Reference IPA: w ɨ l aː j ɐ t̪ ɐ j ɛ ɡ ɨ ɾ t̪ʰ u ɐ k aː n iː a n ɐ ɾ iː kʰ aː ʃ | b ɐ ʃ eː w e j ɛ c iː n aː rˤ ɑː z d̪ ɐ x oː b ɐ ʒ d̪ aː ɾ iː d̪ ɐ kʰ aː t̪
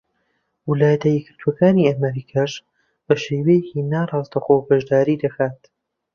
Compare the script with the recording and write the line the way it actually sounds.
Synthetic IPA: w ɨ l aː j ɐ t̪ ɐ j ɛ ɡ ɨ ɾ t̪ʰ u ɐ k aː n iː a m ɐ ɾ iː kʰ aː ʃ | b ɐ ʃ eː w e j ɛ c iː n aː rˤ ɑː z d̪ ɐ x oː b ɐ ʒ d̪ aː ɾ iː d̪ ɐ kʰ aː t̪